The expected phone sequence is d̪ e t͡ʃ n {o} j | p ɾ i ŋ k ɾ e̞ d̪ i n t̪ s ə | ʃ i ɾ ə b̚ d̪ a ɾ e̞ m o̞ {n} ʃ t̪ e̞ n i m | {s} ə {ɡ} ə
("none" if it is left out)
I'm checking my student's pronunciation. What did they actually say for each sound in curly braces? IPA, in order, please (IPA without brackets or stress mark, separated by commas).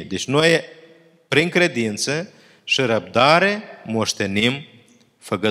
o, none, f, ɡ